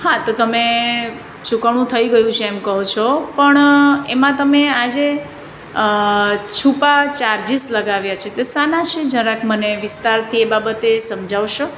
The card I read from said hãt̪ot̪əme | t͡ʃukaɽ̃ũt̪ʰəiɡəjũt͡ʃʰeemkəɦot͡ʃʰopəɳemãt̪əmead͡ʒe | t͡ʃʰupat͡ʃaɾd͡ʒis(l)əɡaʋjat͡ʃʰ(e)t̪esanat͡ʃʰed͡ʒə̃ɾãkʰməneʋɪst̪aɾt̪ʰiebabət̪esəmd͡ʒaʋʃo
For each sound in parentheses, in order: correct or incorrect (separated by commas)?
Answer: correct, correct